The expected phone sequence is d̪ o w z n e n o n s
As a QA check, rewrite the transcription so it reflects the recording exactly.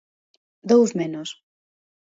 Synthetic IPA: d̪ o w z m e n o s